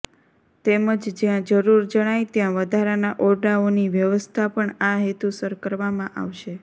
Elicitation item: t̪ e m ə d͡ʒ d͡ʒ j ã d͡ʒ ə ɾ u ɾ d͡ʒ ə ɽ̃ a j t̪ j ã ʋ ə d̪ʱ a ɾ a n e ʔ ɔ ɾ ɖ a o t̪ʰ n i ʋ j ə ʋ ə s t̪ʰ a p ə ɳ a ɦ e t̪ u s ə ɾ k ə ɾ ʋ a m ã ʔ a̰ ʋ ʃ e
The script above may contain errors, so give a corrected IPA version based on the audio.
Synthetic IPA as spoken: t̪ e m ə d͡ʒ d͡ʒ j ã d͡ʒ ə ɾ u ɾ d͡ʒ ə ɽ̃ a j t̪ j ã ʋ ə d̪ʱ a ɾ a n a ʔ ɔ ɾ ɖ a o n i ʋ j ə ʋ ə s t̪ʰ a p ə ɳ a ɦ e t̪ u s ə ɾ k ə ɾ ʋ a m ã ʔ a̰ ʋ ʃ e